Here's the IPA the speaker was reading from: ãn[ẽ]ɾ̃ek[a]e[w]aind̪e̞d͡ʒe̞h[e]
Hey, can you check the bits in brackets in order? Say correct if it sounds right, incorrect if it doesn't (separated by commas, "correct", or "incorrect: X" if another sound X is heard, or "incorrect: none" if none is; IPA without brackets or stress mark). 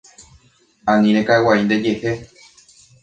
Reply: incorrect: ĩ, correct, correct, correct